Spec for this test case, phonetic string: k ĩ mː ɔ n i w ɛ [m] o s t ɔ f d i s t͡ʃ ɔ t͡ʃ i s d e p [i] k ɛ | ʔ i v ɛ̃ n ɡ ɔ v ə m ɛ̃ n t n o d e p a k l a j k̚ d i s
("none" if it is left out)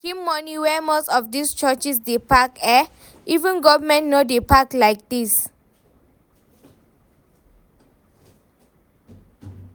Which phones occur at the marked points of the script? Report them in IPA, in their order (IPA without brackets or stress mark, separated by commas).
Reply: m, a